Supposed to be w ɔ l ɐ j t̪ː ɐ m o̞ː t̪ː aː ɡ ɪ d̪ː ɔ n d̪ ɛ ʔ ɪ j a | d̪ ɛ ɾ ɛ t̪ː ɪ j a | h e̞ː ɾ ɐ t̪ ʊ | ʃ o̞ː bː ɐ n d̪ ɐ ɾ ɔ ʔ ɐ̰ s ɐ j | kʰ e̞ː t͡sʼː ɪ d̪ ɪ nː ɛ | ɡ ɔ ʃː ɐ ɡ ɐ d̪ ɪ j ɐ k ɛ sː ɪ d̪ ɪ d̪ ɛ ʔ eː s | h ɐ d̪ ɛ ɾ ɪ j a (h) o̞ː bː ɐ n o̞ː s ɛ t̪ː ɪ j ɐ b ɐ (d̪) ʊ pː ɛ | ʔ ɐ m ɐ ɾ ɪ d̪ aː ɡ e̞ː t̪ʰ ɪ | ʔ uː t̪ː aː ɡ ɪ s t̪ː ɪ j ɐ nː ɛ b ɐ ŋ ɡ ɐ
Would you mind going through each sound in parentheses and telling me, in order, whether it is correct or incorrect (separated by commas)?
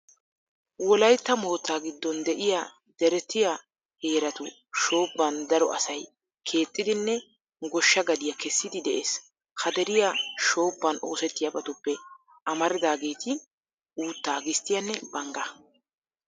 incorrect, incorrect